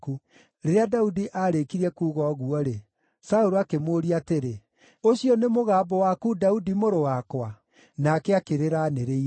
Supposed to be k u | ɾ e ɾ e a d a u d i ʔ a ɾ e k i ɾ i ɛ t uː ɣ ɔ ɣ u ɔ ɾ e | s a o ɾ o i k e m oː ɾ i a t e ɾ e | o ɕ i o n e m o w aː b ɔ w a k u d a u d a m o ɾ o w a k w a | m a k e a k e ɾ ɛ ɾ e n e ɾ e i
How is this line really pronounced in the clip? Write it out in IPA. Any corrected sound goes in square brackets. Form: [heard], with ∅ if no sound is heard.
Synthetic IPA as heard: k u | ɾ e ɾ e a d a u d i ʔ a ɾ e k i ɾ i ɛ [k] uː ɣ ɔ ɣ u ɔ ɾ e | s a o ɾ o [a] k e m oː ɾ i a t e ɾ e | o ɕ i [ɔ] n e m o [ɣ] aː b ɔ w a k u d a u d [i] m o ɾ o w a k w a | [n] a k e a k e ɾ [e] ɾ [a] n e ɾ e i

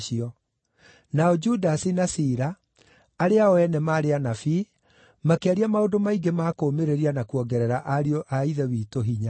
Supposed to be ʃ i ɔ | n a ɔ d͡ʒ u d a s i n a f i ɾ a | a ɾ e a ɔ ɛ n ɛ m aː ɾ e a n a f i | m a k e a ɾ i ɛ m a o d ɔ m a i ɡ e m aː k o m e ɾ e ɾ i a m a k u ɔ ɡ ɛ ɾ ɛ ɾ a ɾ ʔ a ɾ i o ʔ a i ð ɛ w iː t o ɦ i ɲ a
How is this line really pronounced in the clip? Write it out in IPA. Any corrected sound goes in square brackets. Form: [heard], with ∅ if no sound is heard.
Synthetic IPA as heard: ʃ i ɔ | n a ɔ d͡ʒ u d a s i n a [s] i ɾ a | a ɾ e a ɔ ɛ n ɛ m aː ɾ e a n a f i | m a k e a ɾ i [a] m a o d [o] m a i ɡ e m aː k o m e ɾ e ɾ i a [n] a k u ɔ ɡ ɛ ɾ ɛ ɾ a [∅] ʔ a ɾ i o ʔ a i ð ɛ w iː t o ɦ i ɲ a

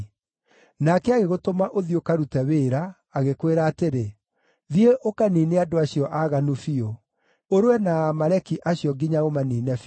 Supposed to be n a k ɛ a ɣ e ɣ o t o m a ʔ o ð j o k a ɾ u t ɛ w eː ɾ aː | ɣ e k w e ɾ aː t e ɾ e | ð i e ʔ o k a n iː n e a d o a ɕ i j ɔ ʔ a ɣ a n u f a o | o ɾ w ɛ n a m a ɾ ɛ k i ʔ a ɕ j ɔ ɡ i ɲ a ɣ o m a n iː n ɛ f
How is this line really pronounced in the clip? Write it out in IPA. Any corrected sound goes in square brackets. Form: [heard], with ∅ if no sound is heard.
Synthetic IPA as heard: n a k ɛ a ɣ e ɣ o t o m a ʔ o ð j o k a ɾ u t ɛ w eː ɾ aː | ɣ e k w e ɾ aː t e ɾ e | ð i e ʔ o k a n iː n e a d o a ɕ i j ɔ ʔ a ɣ a n u f [i] o | o ɾ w ɛ n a m a ɾ ɛ k i ʔ a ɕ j ɔ ɡ i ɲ a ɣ o m a n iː n ɛ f

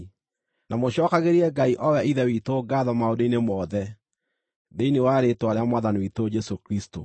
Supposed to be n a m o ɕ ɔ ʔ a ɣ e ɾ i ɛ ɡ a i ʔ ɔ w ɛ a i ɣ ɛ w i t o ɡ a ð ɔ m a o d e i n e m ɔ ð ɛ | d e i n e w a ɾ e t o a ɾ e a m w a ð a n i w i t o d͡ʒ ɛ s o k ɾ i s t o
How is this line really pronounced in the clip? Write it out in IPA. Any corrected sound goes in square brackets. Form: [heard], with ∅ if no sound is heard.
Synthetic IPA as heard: n a m o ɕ ɔ [k] a ɣ e ɾ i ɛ ɡ a i ʔ ɔ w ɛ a i [ð] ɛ w i t o ɡ a ð ɔ m a o d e i n e m ɔ ð ɛ | d e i n e w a ɾ e t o a ɾ e a m w a ð a n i w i t o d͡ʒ ɛ s o k ɾ i s t o

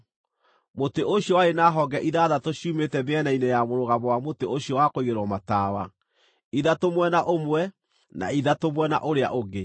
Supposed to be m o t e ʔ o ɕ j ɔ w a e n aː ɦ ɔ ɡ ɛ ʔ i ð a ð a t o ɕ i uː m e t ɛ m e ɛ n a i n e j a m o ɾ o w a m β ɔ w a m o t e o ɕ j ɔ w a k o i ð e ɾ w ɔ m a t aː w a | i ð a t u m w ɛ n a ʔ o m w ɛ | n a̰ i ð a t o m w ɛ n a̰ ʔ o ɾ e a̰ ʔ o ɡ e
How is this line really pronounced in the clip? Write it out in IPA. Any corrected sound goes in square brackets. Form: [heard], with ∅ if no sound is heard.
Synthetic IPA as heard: m o t e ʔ o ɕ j ɔ w a e n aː ɦ ɔ ɡ ɛ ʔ i ð a ð a t o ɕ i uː m e t ɛ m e ɛ n a i n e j a m o ɾ o [ɣ] a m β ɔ w a m o t e o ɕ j ɔ w a k o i [ɣ] e ɾ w ɔ m a t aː w a | i ð a t [o] m w ɛ n a ʔ o m w ɛ | n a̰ i ð a t o m w ɛ n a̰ ʔ o ɾ e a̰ ʔ o ɡ e

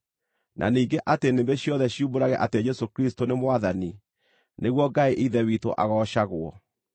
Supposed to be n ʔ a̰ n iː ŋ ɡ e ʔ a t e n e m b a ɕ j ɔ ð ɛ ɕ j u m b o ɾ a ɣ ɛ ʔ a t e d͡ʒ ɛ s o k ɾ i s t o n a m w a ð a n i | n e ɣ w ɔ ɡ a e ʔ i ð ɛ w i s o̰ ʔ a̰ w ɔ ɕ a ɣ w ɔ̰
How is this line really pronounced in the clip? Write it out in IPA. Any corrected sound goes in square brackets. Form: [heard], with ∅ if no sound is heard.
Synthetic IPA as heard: n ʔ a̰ n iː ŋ ɡ e ʔ a t e n e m b [e] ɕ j ɔ ð ɛ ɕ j u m b o ɾ a ɣ ɛ ʔ a t e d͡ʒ ɛ s o k ɾ i s t o n [e] m w a ð a n i | n e ɣ w ɔ ɡ a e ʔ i ð ɛ w i [t] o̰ ʔ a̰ [ɣ] ɔ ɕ a ɣ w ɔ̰

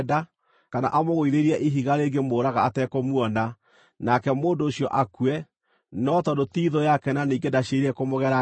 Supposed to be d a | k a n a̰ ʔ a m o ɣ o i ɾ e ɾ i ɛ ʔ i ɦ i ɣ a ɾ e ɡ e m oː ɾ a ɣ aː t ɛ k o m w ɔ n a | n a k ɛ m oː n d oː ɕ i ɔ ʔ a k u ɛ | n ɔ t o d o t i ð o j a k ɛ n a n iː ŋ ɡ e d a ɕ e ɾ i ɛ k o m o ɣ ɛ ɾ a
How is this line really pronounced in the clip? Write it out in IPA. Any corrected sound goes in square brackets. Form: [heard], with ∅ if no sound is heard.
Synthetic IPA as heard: d a | k a n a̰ ʔ a m o ɣ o i ɾ e ɾ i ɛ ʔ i ɦ i ɣ a ɾ e ɡ e m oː ɾ a ɣ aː t ɛ k o m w ɔ n a | n a k ɛ m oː n d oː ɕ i ɔ ʔ a k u ɛ | n ɔ t [ɔ] d o t i ð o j a k ɛ n a n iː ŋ ɡ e d a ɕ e ɾ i ɛ k o m o ɣ ɛ ɾ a

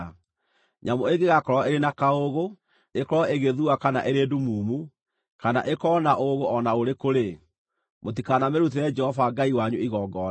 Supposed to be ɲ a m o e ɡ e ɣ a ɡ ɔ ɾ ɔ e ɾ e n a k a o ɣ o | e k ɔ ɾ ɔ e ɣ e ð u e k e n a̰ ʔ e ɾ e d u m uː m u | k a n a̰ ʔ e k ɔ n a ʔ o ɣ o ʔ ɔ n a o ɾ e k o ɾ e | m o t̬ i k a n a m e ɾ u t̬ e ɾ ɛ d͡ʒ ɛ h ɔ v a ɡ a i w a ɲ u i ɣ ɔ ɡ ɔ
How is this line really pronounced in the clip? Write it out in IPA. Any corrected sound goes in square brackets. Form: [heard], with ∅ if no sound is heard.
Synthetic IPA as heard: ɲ a m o e ɡ e ɣ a [k] ɔ ɾ ɔ e ɾ e n a k a o ɣ o | e k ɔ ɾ ɔ e ɣ e ð u [a] k [a] n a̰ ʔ e ɾ e d u m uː m u | k a n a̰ ʔ e k ɔ n a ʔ o ɣ o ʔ ɔ n a o ɾ e k o ɾ e | m o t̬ i k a n a m e ɾ u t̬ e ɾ ɛ d͡ʒ ɛ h ɔ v a ɡ a i w a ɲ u i ɣ ɔ ɡ ɔ

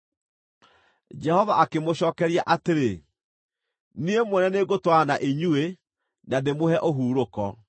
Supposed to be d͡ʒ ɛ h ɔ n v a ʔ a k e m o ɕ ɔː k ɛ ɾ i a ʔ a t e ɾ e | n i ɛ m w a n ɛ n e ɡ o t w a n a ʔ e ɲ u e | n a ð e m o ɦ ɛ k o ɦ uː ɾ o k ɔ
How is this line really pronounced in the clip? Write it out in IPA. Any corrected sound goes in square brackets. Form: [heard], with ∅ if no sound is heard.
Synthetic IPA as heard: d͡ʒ ɛ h ɔ [∅] v a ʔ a k e m o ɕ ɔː k ɛ ɾ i a ʔ a t e ɾ e | n i [e] m w [ɛ] n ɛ n e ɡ o t w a n a ʔ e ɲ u e | n a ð e m o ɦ ɛ [ʔ] o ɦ uː ɾ o k ɔ

